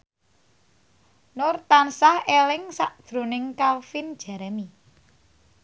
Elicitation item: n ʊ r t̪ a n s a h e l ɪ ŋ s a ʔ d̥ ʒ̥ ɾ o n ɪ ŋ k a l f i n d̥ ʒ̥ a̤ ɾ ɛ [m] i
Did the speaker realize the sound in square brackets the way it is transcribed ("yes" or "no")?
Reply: yes